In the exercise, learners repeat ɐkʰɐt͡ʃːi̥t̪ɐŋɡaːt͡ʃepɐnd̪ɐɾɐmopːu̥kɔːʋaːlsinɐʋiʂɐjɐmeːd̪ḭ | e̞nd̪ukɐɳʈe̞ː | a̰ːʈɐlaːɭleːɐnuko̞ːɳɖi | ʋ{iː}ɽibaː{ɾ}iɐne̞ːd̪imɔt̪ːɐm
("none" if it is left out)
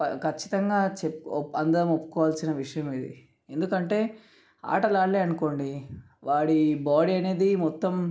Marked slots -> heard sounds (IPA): aː, ɽ

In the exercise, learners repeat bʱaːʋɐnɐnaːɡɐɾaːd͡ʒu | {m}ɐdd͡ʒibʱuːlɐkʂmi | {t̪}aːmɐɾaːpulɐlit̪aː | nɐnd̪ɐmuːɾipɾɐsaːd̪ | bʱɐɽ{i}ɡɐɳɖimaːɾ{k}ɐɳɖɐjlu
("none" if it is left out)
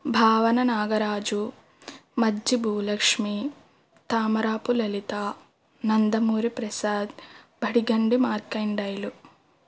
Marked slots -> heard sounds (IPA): m, t̪, i, k

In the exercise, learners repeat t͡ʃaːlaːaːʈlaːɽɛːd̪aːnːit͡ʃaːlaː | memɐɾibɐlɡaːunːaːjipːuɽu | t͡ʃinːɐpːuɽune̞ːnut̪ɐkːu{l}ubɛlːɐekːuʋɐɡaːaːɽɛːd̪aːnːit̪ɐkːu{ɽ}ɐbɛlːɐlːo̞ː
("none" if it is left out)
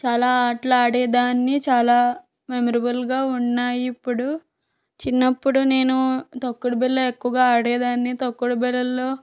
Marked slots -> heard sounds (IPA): ɽ, ɽ

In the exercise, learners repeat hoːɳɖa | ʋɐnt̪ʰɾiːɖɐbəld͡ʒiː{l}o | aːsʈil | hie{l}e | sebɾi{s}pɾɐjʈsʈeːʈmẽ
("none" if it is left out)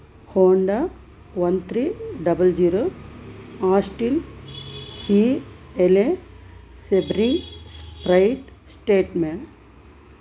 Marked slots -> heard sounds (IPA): ɾ, l, s

